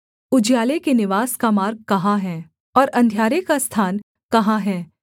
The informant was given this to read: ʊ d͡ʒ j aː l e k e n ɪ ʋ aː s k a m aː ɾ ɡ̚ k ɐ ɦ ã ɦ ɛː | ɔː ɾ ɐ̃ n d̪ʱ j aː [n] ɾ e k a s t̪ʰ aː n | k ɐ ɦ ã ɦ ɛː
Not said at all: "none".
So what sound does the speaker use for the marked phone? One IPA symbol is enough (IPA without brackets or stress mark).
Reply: none